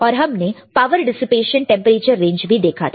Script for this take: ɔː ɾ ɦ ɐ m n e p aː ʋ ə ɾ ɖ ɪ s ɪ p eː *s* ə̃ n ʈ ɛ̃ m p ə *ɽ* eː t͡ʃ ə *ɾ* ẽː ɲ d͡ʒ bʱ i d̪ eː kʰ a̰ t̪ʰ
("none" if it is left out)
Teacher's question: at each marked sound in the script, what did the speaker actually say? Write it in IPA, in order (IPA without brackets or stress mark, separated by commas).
ʃ, ɾ, ɾː